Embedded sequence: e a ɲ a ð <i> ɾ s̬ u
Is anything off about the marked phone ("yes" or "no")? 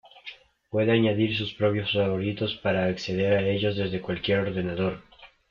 no